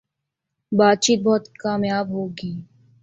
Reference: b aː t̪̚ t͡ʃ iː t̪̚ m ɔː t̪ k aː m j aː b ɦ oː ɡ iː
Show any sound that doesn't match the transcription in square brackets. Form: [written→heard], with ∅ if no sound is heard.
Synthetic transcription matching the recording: b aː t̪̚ t͡ʃ iː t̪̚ [m→b] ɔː t̪ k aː m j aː b ɦ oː ɡ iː

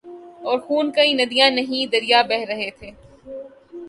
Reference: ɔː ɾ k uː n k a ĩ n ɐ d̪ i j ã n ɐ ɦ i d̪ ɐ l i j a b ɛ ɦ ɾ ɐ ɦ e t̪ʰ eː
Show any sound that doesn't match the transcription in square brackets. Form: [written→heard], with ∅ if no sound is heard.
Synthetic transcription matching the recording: ɔː ɾ [k→x] uː n k [a→ɐ] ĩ n ɐ d̪ i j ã n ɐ ɦ [i→ĩ] d̪ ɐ [l→ɾ] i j a b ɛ ɦ ɾ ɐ ɦ e t̪ʰ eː

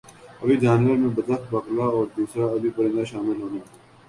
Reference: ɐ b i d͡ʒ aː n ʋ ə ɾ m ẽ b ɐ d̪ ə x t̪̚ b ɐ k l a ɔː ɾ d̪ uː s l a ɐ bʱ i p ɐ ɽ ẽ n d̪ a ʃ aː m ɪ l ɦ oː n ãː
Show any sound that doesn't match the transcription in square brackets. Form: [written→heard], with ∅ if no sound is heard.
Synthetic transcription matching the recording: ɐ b i d͡ʒ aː n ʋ ə ɾ m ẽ b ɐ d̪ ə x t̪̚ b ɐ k l a ɔː ɾ d̪ uː s [l→ɾ] a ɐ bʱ i p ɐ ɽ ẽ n d̪ a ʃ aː m ɪ l ɦ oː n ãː

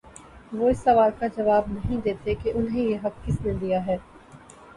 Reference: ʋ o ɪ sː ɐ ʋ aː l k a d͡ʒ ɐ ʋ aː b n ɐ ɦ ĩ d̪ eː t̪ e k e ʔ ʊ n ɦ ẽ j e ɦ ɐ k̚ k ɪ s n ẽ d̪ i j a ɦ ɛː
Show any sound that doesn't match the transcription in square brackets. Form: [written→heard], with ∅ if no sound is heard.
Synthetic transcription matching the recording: ʋ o ɪ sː ɐ ʋ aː l k a d͡ʒ ɐ ʋ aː b n ɐ ɦ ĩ d̪ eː t̪ e k e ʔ ʊ n ɦ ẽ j e ɦ ɐ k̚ k ɪ s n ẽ d̪ i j a ɦ ɛː

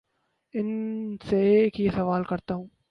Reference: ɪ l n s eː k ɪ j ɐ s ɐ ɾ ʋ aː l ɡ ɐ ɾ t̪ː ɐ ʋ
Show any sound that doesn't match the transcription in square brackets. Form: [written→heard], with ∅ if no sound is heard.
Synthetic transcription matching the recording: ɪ [l→∅] n s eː k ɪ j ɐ s ɐ [ɾ→∅] ʋ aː l [ɡ→k] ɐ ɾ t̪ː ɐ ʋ

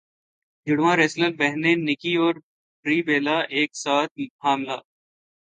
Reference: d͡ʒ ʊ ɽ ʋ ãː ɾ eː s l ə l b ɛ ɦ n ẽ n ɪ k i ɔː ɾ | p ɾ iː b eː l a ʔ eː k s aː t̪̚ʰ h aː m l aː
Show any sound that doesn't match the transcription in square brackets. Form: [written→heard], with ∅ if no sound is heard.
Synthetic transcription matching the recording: d͡ʒ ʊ ɽ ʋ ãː ɾ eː s l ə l b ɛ ɦ n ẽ n ɪ k i ɔː ɾ | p ɾ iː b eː l a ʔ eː k s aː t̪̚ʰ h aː m l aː

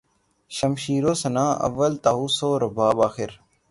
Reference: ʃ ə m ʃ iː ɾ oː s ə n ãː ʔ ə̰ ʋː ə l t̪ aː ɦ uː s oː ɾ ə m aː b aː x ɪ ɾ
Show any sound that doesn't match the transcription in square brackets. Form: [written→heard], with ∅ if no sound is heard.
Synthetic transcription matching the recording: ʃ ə m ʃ iː ɾ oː s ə n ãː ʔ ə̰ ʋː ə l t̪ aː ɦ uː s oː ɾ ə [m→b] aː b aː x ɪ ɾ

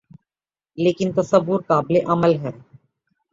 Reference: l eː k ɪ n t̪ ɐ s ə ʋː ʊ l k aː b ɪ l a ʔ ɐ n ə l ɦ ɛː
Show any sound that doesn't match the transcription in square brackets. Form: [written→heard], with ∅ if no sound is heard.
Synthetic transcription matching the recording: l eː k ɪ n t̪ ɐ s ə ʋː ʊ [l→ɾ] k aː b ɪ l [a→e] ʔ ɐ [n→m] ə l ɦ ɛː

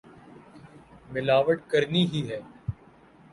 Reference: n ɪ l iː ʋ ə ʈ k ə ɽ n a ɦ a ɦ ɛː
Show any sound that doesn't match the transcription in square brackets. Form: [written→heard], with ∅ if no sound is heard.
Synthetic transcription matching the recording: [n→m] ɪ l [iː→aː] ʋ ə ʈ k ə [ɽ→ɾ] n [a→i] ɦ [a→i] ɦ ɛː

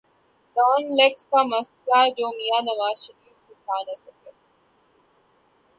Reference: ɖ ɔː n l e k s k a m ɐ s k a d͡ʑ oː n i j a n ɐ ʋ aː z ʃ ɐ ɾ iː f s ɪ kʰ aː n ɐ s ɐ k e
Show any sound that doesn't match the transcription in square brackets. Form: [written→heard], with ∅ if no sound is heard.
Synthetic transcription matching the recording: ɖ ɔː n l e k s k a m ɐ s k a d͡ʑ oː [n→m] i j a n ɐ ʋ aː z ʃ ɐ ɾ iː f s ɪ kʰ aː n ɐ s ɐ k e

